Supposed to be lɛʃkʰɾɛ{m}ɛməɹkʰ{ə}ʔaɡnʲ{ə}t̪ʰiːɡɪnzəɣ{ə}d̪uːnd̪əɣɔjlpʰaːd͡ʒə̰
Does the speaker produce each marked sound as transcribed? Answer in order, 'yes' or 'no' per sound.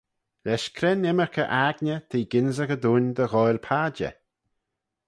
no, yes, yes, yes

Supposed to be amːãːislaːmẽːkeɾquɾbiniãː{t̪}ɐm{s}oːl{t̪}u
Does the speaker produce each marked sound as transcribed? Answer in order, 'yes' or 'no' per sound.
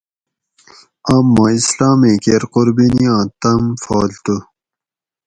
yes, no, yes

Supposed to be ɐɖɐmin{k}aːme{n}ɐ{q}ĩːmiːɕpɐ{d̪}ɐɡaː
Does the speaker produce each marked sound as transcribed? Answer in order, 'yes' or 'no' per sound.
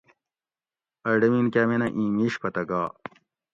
yes, yes, no, no

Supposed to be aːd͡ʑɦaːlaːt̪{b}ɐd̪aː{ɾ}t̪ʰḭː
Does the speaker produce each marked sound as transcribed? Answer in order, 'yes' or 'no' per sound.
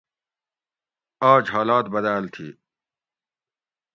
yes, no

